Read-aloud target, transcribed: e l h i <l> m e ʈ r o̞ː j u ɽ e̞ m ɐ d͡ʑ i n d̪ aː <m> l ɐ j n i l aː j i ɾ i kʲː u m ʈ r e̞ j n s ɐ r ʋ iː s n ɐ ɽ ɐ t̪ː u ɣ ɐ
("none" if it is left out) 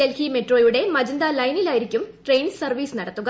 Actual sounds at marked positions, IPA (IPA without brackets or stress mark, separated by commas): none, none